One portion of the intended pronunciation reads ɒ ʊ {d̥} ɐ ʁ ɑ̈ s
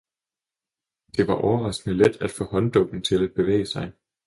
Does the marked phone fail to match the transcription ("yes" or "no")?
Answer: yes